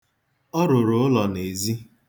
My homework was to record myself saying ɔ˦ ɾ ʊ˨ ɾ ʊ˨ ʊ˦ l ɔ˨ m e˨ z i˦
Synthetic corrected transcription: ɔ˦ ɾ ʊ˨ ɾ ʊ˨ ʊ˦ l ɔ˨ n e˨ z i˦